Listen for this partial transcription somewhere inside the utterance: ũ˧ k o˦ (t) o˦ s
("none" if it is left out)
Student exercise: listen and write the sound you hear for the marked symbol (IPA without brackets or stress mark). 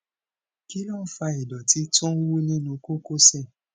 k